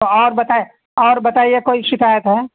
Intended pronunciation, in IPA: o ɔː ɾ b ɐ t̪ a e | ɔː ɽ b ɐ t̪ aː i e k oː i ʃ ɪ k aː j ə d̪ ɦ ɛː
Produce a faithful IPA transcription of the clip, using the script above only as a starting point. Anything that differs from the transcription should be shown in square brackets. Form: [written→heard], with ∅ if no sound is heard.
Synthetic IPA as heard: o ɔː ɾ b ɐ t̪ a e | ɔː [ɽ→ɾ] b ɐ t̪ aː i e k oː i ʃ ɪ k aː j ə [d̪→t̪] ɦ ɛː